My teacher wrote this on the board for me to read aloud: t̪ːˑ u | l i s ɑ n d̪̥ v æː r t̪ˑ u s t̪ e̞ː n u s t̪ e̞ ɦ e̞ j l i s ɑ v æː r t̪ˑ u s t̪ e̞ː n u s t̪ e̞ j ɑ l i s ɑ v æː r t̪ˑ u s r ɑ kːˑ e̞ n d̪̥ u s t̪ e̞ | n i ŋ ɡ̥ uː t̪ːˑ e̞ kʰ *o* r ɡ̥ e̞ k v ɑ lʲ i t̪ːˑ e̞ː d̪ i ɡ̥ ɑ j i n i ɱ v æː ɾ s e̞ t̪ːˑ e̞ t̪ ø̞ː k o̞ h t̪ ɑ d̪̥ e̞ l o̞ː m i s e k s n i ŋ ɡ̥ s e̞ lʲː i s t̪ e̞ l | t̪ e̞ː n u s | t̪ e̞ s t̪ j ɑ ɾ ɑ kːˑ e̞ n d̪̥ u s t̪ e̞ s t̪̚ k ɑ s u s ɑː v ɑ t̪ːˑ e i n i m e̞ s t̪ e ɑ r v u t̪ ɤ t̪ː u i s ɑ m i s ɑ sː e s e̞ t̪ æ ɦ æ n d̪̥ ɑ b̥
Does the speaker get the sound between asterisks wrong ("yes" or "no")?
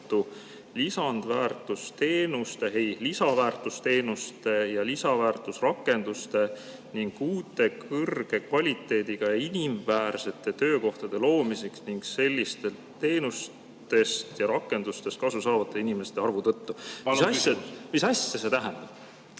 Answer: yes